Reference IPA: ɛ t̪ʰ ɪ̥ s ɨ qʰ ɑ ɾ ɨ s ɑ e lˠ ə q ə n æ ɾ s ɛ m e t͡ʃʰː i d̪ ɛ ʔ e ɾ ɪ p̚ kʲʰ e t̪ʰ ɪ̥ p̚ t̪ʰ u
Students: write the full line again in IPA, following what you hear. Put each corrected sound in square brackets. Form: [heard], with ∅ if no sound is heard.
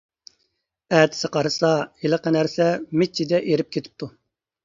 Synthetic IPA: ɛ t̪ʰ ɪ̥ s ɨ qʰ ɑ ɾ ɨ s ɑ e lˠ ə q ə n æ ɾ s ɛ m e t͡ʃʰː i d̪ ɛ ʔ e ɾ ɪ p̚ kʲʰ e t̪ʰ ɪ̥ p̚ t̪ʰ u